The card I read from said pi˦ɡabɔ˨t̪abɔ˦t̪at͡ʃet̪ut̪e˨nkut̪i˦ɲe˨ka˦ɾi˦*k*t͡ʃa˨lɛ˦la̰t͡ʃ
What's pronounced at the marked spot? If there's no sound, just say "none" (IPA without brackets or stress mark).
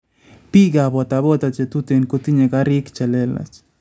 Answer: k